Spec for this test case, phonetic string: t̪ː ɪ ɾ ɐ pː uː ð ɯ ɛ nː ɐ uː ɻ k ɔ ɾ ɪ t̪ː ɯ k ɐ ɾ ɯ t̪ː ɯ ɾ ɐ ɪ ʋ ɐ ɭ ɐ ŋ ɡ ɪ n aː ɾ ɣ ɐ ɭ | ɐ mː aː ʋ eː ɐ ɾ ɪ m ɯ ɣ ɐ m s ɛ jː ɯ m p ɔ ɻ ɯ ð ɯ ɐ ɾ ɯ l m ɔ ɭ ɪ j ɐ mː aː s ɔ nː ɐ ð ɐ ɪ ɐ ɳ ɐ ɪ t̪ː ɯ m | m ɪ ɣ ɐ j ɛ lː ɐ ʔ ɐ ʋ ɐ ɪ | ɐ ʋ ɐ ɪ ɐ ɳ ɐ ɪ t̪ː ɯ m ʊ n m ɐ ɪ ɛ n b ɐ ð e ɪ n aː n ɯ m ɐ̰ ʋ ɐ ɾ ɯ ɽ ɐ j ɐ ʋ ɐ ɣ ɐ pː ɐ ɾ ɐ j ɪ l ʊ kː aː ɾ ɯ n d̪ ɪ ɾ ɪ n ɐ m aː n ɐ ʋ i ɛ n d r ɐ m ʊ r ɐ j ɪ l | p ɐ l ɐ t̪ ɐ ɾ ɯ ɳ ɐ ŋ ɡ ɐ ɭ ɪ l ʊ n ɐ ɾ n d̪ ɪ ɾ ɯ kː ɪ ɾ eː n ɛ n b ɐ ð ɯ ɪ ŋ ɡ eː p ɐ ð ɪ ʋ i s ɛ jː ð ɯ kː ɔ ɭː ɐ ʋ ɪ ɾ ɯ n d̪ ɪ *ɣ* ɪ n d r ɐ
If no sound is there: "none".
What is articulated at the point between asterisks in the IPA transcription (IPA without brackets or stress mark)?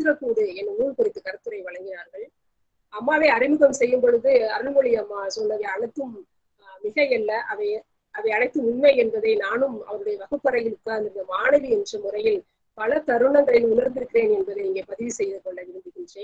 ɣ